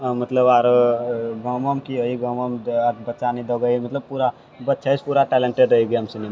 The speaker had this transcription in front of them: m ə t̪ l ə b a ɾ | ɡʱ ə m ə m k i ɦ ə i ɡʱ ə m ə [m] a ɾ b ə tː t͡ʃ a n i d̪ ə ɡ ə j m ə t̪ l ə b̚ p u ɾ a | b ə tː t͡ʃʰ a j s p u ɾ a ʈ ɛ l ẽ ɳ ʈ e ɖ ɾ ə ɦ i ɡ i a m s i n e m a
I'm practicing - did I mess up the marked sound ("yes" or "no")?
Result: no